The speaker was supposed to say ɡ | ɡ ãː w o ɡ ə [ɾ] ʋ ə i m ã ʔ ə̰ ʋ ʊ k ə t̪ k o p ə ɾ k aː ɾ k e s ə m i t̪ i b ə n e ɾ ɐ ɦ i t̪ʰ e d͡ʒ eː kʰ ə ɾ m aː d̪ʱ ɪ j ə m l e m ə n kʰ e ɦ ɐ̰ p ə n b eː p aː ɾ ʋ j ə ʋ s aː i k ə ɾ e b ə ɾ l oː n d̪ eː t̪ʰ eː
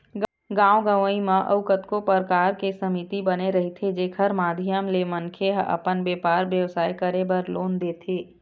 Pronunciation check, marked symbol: incorrect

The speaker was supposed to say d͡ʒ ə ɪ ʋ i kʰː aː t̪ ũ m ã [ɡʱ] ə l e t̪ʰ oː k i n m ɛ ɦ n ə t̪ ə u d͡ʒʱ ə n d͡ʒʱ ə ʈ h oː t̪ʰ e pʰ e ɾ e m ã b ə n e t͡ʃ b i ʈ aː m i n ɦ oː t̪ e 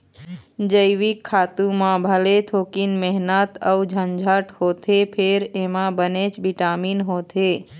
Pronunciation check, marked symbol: incorrect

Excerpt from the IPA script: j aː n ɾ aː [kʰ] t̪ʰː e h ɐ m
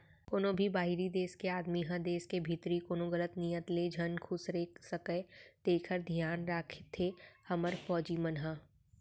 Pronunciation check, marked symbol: correct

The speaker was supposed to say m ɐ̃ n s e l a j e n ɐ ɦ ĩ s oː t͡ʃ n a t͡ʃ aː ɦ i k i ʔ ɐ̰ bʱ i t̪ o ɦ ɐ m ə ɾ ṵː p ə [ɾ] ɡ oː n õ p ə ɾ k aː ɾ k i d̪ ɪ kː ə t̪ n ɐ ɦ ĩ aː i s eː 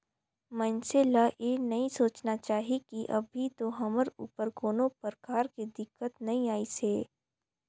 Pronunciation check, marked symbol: correct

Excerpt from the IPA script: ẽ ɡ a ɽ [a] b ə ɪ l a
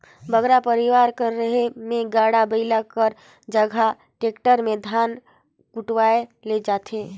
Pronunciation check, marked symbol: correct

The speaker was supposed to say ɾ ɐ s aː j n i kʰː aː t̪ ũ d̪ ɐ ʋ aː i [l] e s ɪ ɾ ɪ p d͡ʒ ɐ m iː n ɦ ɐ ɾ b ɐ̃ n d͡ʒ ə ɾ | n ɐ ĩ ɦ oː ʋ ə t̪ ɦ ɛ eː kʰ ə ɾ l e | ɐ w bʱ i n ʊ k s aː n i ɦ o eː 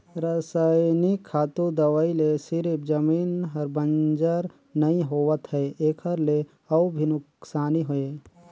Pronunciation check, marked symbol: correct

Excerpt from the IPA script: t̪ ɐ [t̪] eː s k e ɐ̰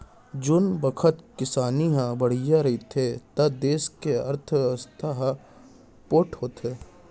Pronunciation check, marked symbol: incorrect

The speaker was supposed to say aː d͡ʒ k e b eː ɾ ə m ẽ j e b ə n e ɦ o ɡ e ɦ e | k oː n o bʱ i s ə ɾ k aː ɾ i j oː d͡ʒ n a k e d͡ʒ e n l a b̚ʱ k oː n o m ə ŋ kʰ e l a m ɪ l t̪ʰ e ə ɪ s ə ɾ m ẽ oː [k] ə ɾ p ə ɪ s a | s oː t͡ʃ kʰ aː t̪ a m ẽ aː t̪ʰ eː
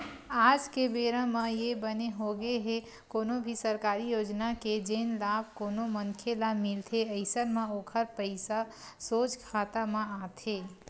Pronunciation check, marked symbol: incorrect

